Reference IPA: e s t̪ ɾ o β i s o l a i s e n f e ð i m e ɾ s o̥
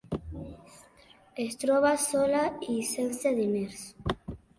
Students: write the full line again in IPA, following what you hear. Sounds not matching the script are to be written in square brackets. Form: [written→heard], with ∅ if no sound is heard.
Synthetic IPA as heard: e s t̪ ɾ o β [i→a] s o l a i s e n [f→s] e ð i m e ɾ s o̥